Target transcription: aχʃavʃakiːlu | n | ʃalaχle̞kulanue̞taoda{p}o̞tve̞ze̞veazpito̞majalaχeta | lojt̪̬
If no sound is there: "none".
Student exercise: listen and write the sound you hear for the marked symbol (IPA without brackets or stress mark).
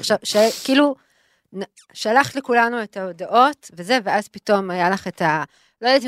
ʔ